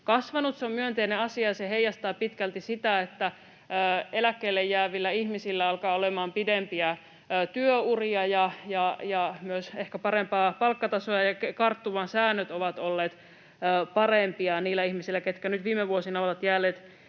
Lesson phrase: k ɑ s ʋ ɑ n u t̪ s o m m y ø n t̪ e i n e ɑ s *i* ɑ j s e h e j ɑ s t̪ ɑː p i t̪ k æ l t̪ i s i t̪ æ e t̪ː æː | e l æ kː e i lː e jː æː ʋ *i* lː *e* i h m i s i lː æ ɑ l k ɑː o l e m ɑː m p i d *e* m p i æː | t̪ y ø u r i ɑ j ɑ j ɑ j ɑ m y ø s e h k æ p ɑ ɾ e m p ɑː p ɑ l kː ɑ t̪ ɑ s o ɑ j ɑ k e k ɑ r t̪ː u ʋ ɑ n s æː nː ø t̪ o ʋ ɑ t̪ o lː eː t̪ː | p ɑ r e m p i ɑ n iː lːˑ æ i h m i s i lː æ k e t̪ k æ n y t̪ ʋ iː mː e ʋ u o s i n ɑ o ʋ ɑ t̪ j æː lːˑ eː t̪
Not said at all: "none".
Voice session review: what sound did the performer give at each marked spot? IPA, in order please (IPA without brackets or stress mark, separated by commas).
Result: i, i, æ, e